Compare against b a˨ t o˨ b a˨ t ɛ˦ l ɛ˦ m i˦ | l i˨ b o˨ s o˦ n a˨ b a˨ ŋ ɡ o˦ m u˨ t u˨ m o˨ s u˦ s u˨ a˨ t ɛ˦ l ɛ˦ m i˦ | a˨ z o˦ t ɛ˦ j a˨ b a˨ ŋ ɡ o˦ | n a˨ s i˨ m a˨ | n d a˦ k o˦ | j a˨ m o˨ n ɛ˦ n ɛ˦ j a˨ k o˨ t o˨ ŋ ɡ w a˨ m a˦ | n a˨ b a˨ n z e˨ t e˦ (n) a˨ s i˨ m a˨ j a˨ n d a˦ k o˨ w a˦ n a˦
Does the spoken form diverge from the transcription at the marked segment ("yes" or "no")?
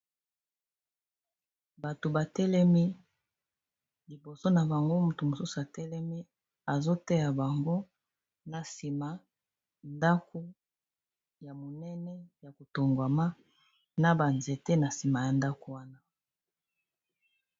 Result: no